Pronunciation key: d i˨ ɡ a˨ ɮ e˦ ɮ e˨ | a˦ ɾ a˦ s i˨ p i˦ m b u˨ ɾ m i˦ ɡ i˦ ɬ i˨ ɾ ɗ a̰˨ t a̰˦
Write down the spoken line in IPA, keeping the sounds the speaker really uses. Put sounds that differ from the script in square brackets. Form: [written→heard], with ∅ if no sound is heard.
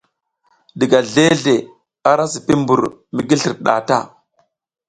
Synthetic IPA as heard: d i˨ ɡ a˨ ɮ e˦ ɮ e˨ | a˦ ɾ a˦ s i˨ p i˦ m b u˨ ɾ m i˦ ɡ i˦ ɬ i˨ ɾ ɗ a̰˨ t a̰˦